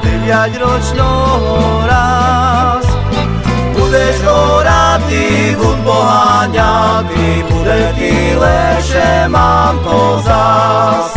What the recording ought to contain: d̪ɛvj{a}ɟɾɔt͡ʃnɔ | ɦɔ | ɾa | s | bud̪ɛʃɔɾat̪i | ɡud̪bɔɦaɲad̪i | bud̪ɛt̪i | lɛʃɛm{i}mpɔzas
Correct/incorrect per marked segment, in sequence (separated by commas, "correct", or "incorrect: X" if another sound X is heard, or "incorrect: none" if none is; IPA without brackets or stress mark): correct, incorrect: a